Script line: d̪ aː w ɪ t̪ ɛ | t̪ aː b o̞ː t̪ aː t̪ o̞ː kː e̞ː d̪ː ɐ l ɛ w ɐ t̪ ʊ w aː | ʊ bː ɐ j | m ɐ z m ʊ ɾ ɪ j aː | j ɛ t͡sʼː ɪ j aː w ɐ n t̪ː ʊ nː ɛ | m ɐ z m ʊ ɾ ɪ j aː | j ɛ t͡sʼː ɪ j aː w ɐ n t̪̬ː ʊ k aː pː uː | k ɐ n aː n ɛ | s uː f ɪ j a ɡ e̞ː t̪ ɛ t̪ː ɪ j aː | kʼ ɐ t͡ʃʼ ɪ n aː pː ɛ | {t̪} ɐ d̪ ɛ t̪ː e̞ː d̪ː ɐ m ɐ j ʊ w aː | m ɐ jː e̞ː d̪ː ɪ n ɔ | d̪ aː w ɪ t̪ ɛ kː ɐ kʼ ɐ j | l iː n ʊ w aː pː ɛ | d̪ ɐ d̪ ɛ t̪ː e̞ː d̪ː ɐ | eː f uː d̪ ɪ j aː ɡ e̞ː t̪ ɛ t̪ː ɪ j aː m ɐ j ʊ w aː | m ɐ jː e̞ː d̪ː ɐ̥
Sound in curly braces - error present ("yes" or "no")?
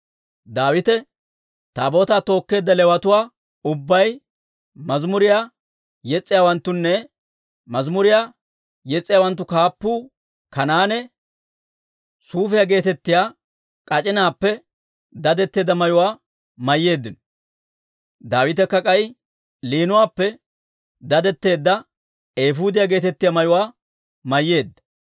yes